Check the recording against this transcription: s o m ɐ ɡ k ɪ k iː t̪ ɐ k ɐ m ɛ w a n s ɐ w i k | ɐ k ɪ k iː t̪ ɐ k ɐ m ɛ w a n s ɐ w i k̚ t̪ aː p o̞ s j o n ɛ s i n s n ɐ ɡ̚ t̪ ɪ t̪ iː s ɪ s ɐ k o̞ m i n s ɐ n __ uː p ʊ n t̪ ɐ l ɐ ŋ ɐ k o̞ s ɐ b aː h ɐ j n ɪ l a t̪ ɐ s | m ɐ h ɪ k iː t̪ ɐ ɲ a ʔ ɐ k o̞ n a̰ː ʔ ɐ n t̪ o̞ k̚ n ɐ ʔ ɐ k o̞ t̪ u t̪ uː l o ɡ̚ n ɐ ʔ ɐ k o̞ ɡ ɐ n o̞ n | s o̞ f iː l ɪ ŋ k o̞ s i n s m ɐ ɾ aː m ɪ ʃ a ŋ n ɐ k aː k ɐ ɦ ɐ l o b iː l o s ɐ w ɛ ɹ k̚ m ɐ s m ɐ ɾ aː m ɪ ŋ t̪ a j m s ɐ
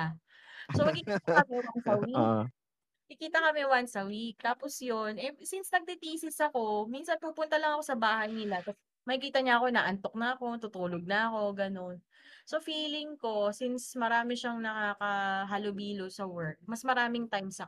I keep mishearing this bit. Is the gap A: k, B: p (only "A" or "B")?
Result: B